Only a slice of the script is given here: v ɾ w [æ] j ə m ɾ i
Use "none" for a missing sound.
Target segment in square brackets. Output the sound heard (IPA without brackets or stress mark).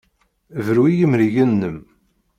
i